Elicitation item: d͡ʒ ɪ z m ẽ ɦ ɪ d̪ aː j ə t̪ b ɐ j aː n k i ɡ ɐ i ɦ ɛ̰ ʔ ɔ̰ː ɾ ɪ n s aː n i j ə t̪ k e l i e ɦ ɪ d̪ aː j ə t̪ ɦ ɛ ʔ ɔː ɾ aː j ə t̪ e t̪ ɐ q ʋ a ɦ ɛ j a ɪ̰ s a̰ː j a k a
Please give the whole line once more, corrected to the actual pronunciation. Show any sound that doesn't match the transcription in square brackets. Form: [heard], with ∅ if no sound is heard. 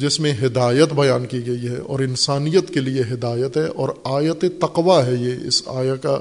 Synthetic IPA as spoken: d͡ʒ ɪ [s] m ẽ ɦ ɪ d̪ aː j ə t̪ b ɐ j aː n k i ɡ ɐ i ɦ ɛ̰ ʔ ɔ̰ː ɾ ɪ n s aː n i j ə t̪ k e l i e ɦ ɪ d̪ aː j ə t̪ ɦ ɛ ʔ ɔː ɾ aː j ə t̪ e t̪ ɐ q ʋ a ɦ ɛ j [e] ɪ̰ s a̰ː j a k a